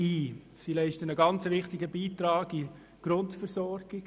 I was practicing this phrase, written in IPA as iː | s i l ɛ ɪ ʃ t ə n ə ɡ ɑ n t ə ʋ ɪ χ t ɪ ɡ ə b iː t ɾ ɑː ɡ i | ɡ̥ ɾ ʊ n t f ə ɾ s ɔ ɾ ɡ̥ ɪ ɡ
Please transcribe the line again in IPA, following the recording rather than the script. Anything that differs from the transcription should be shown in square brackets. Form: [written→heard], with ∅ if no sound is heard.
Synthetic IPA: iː | s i l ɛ ɪ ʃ t ə n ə ɡ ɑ n [t→t͡s] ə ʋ ɪ χ t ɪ ɡ ə b iː t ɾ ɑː ɡ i | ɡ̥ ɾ ʊ n t f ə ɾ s ɔ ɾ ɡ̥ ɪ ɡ